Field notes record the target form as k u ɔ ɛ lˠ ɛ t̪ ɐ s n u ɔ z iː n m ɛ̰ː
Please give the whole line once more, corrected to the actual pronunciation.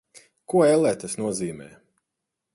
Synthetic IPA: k u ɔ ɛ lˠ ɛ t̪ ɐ s n u ɔ z iː m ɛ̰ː